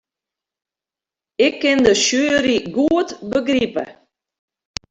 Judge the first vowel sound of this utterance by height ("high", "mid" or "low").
high